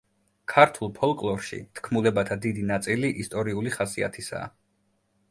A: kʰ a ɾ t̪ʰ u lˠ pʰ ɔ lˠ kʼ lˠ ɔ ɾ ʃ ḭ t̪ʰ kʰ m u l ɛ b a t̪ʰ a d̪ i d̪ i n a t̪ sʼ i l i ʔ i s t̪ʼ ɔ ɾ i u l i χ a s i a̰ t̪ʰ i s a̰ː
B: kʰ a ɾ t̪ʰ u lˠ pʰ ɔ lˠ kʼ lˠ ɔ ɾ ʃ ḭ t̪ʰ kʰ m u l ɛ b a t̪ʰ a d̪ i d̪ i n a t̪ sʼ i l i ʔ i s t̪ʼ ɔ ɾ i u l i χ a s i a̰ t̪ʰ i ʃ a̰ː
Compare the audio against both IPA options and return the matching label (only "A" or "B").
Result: A